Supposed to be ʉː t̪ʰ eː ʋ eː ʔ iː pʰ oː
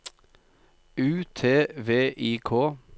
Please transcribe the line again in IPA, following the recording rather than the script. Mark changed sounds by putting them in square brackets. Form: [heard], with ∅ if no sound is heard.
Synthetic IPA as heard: ʉː t̪ʰ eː ʋ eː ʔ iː [kʰ] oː